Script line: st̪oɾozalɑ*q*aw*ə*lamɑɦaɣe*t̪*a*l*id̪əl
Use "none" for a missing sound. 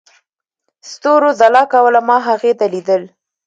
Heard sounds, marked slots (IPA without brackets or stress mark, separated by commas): k, ə, t̪, l